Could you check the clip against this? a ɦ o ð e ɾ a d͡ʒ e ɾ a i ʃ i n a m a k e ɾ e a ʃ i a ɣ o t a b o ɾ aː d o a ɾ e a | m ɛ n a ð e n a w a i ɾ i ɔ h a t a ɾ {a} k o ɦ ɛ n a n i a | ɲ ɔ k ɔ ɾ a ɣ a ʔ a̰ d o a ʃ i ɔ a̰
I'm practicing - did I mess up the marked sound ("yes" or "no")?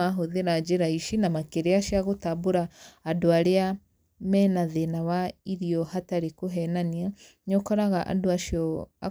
yes